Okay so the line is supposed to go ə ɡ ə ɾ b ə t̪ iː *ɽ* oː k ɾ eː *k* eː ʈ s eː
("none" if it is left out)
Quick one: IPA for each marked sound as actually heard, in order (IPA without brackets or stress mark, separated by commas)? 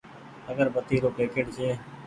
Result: ɾ, k